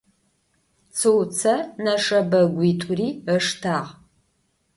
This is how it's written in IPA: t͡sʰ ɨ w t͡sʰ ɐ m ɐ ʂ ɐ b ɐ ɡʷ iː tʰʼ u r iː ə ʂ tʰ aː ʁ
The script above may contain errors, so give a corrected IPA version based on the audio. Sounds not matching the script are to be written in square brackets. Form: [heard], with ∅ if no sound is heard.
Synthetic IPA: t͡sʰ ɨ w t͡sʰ ɐ [n] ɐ ʂ ɐ b ɐ ɡʷ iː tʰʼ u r iː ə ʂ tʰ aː ʁ